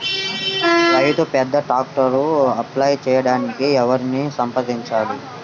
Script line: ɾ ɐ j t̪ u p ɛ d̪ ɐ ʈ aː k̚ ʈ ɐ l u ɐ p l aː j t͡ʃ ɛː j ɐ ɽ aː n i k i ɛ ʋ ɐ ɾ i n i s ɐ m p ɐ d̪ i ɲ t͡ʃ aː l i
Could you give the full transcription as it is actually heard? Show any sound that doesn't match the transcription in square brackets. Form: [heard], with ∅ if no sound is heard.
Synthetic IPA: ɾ ɐ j t̪ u p ɛ [d̪ː] ɐ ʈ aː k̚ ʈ ɐ [ɾ] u ɐ p l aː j t͡ʃ ɛː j ɐ ɽ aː n i k i ɛ ʋ ɐ ɾ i n i s ɐ m p ɐ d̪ i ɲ t͡ʃ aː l i

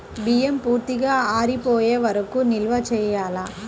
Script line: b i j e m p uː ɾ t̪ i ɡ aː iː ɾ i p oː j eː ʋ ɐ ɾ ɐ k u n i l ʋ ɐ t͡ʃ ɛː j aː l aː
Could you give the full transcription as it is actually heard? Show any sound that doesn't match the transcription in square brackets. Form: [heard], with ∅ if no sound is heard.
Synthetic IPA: b i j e m p uː ɾ t̪ i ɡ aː [aː] ɾ i p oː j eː ʋ ɐ ɾ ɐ k u n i l ʋ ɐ t͡ʃ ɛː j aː l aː

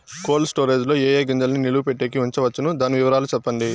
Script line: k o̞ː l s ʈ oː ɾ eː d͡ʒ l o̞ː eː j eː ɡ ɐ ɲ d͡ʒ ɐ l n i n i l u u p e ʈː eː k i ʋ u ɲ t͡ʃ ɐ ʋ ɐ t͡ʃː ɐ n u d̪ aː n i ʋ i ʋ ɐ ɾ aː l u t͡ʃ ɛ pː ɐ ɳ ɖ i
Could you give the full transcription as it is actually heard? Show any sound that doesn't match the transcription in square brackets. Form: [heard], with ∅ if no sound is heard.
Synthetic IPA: k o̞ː l s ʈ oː ɾ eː d͡ʒ l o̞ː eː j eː ɡ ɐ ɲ d͡ʒ ɐ l n i n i l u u p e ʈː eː k i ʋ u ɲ t͡ʃ ɐ ʋ ɐ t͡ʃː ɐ n u d̪ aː n i ʋ i ʋ ɐ ɾ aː l u t͡ʃ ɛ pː ɐ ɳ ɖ i

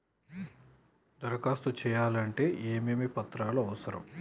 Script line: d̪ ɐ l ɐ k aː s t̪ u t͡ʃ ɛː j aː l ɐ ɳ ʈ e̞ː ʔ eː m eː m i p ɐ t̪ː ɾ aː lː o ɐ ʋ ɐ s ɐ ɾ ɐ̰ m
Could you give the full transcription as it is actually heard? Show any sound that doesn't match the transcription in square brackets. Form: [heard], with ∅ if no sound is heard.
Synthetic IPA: d̪ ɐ [ɾ] ɐ k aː s t̪ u t͡ʃ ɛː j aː l ɐ ɳ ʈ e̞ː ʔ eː m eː m i p ɐ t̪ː ɾ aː [l] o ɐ ʋ ɐ s ɐ ɾ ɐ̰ m

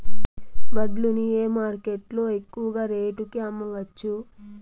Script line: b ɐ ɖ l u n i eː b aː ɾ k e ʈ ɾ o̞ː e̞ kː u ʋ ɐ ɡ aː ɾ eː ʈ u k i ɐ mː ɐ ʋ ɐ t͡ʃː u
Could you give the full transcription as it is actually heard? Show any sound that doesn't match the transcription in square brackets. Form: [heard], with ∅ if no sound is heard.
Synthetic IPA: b ɐ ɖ l u n i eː [m] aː ɾ k e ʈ [l] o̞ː e̞ kː u ʋ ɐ ɡ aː ɾ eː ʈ u k i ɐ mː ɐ ʋ ɐ t͡ʃː u

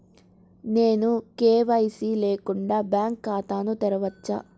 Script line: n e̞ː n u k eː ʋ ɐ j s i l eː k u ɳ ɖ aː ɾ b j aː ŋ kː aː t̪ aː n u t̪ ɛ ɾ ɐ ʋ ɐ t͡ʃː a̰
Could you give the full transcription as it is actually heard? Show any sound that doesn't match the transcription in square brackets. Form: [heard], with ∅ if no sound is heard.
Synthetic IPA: n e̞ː n u k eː ʋ ɐ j s i l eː k u ɳ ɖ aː [∅] b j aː ŋ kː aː t̪ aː n u t̪ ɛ ɾ ɐ ʋ ɐ t͡ʃː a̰

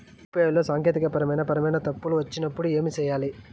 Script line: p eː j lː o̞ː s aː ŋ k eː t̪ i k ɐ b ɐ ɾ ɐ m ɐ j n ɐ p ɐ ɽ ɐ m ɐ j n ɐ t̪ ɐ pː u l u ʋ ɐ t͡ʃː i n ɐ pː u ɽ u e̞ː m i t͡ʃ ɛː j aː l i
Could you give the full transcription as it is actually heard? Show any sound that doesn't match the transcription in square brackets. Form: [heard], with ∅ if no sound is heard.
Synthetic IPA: p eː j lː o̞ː s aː ŋ k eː t̪ i k ɐ [p] ɐ ɾ ɐ m ɐ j n ɐ p ɐ [ɾ] ɐ m ɐ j n ɐ t̪ ɐ pː u l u ʋ ɐ t͡ʃː i n ɐ pː u ɽ u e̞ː m i t͡ʃ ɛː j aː l i

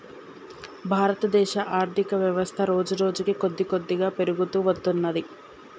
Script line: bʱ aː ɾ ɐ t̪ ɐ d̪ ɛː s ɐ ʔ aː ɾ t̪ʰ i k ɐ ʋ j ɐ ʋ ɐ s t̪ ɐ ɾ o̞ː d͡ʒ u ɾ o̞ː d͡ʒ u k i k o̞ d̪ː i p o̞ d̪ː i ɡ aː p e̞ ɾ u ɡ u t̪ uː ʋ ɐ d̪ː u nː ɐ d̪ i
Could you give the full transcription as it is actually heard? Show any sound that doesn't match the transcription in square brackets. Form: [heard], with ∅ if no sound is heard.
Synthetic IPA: bʱ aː ɾ ɐ t̪ ɐ d̪ ɛː [ʃ] ɐ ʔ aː ɾ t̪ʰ i k ɐ ʋ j ɐ ʋ ɐ s [t̪ʰ] ɐ ɾ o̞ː d͡ʒ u ɾ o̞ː d͡ʒ u k i k o̞ d̪ː i [k] o̞ d̪ː i ɡ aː p e̞ ɾ u ɡ u t̪ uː ʋ ɐ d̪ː u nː ɐ d̪ i

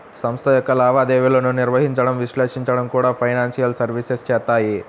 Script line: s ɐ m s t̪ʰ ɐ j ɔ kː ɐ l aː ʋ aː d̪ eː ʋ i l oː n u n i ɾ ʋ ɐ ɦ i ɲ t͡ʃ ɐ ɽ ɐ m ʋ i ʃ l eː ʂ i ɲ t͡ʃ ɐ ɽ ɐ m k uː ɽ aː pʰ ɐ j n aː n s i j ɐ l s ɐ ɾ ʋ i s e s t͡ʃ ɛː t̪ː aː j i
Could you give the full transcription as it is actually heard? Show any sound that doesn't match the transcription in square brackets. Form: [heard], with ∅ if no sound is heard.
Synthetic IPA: s ɐ m s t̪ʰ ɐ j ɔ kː ɐ l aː ʋ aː d̪ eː ʋ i l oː n u n i ɾ ʋ ɐ ɦ i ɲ t͡ʃ ɐ ɽ ɐ m ʋ i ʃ l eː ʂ i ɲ t͡ʃ ɐ ɽ ɐ m k uː ɽ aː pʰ ɐ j n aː n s i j ɐ l s ɐ ɾ ʋ i s e s t͡ʃ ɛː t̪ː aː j i

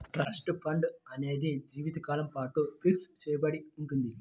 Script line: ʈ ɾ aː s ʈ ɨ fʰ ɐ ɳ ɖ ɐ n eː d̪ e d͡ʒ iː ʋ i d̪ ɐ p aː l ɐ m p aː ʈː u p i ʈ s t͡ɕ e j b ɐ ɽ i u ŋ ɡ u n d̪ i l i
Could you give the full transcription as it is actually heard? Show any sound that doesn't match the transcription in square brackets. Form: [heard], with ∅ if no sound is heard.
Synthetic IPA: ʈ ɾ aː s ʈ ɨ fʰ ɐ ɳ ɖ ɐ n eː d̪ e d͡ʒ iː ʋ i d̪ ɐ [k] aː l ɐ m p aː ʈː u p i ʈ s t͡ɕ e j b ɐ ɽ i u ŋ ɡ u n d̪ i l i

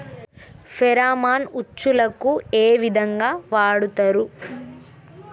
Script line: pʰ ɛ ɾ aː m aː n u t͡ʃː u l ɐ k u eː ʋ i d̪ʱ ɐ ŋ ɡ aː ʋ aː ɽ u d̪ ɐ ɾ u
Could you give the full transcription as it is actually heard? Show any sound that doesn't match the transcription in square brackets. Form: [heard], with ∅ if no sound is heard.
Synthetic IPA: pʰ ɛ ɾ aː m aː n u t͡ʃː u l ɐ k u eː ʋ i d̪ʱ ɐ ŋ ɡ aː ʋ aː ɽ u [t̪] ɐ ɾ u

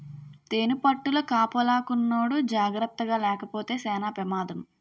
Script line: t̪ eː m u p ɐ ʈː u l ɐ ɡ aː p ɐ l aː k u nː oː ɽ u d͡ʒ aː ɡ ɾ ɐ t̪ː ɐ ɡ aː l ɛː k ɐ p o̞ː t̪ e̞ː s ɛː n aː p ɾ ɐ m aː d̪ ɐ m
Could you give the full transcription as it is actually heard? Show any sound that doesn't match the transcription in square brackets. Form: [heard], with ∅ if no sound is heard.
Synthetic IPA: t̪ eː [n] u p ɐ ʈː u l ɐ [k] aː p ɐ l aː k u nː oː ɽ u d͡ʒ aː ɡ ɾ ɐ t̪ː ɐ ɡ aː l ɛː k ɐ p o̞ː t̪ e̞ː s ɛː n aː p ɾ ɐ m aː d̪ ɐ m

